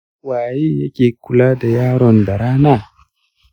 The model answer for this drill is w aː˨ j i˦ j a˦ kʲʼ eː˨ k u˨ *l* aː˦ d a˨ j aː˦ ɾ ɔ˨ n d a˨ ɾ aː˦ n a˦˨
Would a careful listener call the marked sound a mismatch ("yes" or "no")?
no